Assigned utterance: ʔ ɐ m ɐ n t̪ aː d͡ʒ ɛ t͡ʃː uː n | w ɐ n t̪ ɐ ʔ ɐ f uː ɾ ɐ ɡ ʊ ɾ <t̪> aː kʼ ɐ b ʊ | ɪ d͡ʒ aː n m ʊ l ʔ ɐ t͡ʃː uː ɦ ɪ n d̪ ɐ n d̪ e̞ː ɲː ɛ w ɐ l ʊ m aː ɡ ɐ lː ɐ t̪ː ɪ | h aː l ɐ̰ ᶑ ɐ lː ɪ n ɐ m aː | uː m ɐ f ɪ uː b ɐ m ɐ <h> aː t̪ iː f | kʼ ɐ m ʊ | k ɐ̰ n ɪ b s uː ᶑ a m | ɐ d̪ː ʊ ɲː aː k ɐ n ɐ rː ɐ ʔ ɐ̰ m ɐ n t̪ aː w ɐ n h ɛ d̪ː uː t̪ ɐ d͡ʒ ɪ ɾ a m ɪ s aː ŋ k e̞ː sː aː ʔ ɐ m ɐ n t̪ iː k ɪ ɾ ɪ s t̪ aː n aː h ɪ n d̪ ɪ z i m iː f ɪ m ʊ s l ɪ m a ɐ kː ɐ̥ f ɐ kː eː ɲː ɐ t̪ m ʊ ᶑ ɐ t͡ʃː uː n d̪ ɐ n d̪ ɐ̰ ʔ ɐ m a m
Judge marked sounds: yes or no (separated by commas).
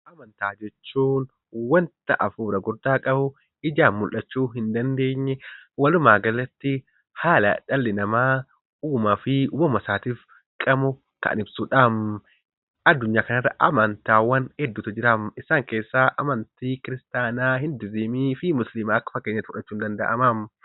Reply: no, no